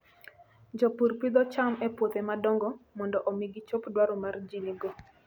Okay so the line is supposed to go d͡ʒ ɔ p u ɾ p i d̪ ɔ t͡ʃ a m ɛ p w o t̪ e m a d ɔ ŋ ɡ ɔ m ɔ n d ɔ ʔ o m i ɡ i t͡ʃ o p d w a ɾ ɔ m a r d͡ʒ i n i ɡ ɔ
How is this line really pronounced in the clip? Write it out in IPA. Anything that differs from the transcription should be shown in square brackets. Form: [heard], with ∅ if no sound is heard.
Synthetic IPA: d͡ʒ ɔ p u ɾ p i d̪ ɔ t͡ʃ a m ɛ p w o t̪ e m a d ɔ ŋ ɡ ɔ m ɔ n d ɔ ʔ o m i ɡ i t͡ʃ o p d w a ɾ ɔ m a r d͡ʒ i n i ɡ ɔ